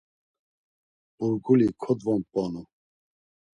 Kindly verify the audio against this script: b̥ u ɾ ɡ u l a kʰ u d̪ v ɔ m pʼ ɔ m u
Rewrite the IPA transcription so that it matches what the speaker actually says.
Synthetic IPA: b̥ u ɾ ɡ u l i kʰ ɔ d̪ v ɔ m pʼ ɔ n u

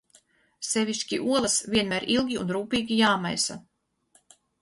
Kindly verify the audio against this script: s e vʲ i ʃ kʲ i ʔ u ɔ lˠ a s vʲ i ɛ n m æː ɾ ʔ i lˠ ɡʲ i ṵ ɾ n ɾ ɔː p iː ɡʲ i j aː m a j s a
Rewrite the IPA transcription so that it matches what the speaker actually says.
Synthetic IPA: s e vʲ i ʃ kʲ i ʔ u ɔ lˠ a s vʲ i ɛ n m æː ɾ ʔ i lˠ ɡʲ i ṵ n ɾ uː p iː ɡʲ i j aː m a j s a

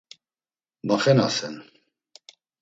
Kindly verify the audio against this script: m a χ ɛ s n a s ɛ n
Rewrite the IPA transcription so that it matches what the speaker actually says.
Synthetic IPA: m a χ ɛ n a s ɛ n

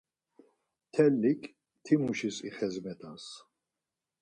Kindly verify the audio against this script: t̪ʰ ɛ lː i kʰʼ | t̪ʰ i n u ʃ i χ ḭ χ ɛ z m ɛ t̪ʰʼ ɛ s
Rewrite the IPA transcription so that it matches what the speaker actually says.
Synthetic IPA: t̪ʰ ɛ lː i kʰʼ | t̪ʰ i m u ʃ i s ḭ χ ɛ z m ɛ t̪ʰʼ a s

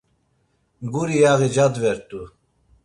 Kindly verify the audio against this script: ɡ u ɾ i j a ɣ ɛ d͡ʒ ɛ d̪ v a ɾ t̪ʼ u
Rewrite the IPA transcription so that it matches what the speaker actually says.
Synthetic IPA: ɡ u ɾ i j a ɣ i d͡ʒ a d̪ v ɛ ɾ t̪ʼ u

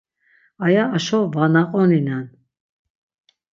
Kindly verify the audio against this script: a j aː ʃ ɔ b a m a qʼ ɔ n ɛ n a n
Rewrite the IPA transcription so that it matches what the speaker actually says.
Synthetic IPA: a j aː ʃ ɔ v a n a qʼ ɔ n i n a n

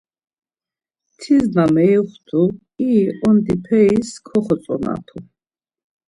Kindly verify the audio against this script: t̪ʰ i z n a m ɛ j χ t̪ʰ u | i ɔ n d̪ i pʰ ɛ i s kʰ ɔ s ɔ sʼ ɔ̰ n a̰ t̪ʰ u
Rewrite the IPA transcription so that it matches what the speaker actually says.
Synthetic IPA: t̪ʰ i z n a m ɛ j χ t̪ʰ u | i ɔ n d̪ i pʰ ɛ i s kʰ ɔ χ ɔ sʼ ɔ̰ n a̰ t̪ʰ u

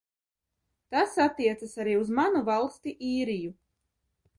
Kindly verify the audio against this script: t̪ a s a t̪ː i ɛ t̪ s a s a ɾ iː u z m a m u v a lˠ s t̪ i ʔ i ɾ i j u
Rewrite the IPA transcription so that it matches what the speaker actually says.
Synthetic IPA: t̪ a s a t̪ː i ɛ t̪ s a s a ɾ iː u z m a n u v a lˠ s t̪ i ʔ iː ɾ i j u

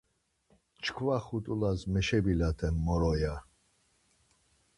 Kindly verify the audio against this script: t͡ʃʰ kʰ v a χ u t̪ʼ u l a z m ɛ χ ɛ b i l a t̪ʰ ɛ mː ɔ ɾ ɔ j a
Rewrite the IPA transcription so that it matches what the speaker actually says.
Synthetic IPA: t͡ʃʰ kʰ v a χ u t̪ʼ u l a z m ɛ ʃ ɛ b i l a t̪ʰ ɛ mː ɔ ɾ ɔ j a

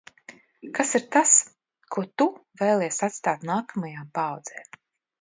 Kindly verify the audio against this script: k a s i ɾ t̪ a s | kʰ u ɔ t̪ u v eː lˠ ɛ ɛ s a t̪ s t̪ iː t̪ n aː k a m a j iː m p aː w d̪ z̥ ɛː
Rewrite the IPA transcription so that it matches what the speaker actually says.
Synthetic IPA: k a s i ɾ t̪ a s | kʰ u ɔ t̪ u v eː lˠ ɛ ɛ s a t̪ s t̪ aː t̪ n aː k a m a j aː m p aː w d̪ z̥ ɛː

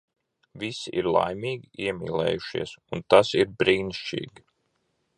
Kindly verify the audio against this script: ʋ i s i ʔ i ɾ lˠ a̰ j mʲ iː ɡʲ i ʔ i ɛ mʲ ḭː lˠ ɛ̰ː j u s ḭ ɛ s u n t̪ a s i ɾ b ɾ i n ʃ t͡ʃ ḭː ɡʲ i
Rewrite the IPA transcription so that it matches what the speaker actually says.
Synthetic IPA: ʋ i s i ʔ i ɾ lˠ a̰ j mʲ iː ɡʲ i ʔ i ɛ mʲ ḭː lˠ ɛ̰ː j u ʃ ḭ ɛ s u n t̪ a s i ɾ b ɾ iː n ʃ t͡ʃ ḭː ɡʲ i

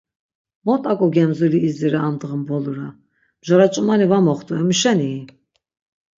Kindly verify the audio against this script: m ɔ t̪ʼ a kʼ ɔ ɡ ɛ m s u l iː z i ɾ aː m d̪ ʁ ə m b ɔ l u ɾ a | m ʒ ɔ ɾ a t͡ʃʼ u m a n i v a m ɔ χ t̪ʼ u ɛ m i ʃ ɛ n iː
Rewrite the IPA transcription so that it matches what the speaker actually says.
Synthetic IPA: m ɔ t̪ʼ a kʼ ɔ ɡ ɛ m z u l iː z i ɾ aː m d̪ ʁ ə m b ɔ l u ɾ a | m ʒ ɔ ɾ a t͡ʃʼ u m a n i v a m ɔ χ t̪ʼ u ɛ m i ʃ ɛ n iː

